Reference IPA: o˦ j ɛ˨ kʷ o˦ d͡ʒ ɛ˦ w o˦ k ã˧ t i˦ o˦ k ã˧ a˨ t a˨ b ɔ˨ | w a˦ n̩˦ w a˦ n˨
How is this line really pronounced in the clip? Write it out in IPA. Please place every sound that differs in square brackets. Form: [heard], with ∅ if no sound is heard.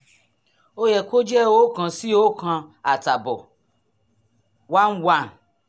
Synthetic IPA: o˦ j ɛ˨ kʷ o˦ d͡ʒ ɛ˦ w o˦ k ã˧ [s] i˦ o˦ k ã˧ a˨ t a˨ b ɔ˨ | w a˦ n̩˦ w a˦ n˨